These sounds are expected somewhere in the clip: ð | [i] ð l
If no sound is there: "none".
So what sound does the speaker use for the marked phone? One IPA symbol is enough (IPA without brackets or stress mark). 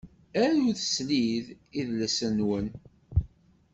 i